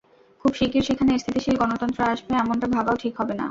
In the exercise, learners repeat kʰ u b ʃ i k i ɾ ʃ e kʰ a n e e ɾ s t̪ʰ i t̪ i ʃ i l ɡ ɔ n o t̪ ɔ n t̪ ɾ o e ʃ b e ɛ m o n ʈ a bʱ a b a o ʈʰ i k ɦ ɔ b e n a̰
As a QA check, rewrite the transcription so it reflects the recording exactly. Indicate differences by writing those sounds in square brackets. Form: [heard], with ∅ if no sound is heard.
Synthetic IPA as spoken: kʰ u b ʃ i k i ɾ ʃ e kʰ a n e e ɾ s t̪ʰ i t̪ i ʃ i l ɡ ɔ n o t̪ ɔ n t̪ ɾ o [a] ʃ b e ɛ m o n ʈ a bʱ a b a o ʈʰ i k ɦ ɔ b e n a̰